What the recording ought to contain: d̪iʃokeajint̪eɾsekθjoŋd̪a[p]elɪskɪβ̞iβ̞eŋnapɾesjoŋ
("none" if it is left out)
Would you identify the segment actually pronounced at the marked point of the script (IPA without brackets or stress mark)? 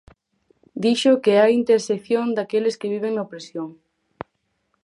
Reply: k